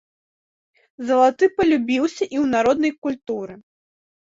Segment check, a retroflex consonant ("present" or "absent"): absent